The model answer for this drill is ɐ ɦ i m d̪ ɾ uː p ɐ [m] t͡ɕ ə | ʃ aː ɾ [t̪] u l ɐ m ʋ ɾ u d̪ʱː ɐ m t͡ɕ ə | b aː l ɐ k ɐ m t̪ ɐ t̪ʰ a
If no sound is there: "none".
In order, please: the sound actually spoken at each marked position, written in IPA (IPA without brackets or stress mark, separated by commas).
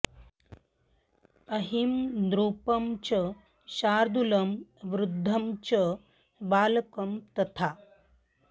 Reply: m, d̪